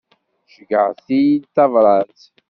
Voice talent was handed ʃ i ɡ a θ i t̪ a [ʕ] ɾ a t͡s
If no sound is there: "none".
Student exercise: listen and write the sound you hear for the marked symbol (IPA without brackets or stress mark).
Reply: v